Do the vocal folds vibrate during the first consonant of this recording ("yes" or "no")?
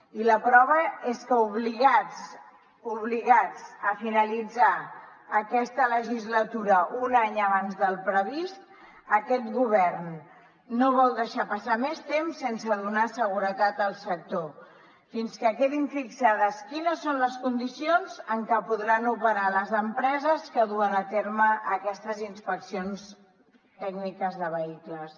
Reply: yes